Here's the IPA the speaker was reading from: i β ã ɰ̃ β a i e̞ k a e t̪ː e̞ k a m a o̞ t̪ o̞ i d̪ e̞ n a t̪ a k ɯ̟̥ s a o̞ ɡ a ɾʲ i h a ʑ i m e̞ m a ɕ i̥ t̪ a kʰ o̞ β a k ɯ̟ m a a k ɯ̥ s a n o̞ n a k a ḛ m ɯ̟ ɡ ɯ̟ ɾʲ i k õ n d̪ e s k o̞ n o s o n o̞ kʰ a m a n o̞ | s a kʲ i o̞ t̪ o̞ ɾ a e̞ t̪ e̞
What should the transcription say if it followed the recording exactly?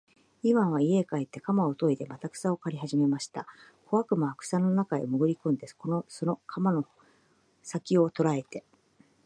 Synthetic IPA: i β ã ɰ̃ β a i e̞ k a e t̪ː e̞ k a m a o̞ t̪ o̞ i d̪ e̞ m a t̪ a k ɯ̟̥ s a o̞ k a ɾʲ i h a ʑ i m e̞ m a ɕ i̥ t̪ a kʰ o̞ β a k ɯ̟ m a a k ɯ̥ s a n o̞ n a k a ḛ m ɯ̟ ɡ ɯ̟ ɾʲ i k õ n d̪ e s k o̞ n o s o n o̞ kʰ a m a n o̞ | s a kʲ i o̞ t̪ o̞ ɾ a e̞ t̪ e̞